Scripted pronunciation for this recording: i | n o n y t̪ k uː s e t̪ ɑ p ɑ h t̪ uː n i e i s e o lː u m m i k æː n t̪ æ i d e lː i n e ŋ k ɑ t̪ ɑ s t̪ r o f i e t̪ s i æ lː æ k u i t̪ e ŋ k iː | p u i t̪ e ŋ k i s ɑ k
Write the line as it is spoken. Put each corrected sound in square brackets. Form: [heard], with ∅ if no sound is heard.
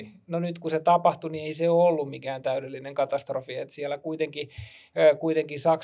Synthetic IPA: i | n o n y t̪ k [u] s e t̪ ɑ p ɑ h t̪ [u] n i e i s e o lː u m m i k æː n t̪ æ [y] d e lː i n e ŋ k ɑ t̪ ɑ s t̪ r o f i e t̪ s i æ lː æ k u i t̪ e ŋ k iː | [k] u i t̪ e ŋ k i s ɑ k